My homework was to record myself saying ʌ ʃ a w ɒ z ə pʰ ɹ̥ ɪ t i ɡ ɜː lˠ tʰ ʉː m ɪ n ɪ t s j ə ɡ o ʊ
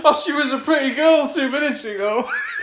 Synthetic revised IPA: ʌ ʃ i w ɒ z ə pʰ ɹ̥ ɪ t i ɡ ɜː lˠ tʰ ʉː m ɪ n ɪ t s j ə ɡ o ʊ